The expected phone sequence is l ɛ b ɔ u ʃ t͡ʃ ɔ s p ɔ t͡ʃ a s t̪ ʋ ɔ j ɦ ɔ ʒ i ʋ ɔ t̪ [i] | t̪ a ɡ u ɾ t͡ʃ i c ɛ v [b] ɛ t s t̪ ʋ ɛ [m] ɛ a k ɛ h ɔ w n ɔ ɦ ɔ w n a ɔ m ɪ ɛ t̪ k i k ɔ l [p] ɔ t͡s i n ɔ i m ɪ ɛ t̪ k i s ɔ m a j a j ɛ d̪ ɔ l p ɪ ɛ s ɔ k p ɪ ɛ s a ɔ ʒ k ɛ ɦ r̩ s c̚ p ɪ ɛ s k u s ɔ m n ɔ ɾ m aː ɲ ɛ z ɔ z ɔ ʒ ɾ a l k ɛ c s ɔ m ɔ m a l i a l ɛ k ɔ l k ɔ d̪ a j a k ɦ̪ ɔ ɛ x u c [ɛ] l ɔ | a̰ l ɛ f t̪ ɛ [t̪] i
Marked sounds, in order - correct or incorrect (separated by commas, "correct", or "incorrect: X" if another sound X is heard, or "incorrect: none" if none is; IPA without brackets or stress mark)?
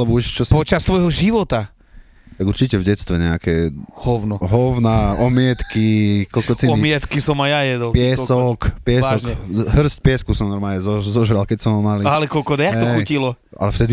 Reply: incorrect: a, incorrect: ɟ, incorrect: ɲ, incorrect: k, incorrect: i, incorrect: d̪